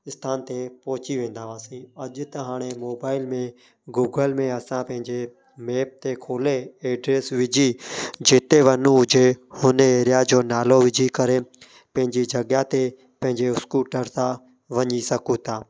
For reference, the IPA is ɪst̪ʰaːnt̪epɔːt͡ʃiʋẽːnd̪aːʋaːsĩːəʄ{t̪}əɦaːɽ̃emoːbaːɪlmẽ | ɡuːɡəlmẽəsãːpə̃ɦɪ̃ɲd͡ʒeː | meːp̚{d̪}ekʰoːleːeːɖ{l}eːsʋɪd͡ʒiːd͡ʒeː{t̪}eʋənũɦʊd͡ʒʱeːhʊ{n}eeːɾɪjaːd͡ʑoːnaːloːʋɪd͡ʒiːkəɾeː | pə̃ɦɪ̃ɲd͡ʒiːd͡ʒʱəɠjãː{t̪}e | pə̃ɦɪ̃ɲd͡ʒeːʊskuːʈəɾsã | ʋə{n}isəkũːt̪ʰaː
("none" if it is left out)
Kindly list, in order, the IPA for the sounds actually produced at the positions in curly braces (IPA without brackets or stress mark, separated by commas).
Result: t̪, t̪, ɾ, t̪, n, t̪, ɲ